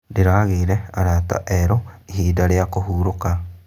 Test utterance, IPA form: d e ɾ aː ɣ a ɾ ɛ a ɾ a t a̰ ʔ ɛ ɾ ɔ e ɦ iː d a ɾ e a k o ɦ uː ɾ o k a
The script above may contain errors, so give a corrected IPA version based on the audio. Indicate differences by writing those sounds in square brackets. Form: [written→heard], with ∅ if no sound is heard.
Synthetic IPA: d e ɾ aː ɣ [a→e] ɾ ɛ a ɾ a t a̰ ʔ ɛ ɾ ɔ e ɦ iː d a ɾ e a k o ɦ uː ɾ o k a